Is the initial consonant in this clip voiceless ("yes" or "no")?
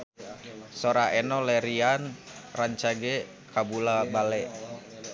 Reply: yes